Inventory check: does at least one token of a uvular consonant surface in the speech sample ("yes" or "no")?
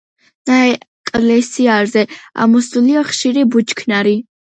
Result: yes